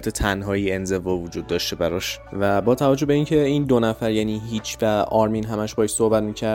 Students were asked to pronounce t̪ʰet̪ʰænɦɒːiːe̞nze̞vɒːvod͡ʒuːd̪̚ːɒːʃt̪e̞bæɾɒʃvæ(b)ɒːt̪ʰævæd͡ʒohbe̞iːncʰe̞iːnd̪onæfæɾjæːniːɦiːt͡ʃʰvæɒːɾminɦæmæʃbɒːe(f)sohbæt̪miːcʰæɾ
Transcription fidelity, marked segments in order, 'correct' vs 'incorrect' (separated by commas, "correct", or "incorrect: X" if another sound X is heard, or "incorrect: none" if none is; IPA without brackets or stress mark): correct, incorrect: ʃ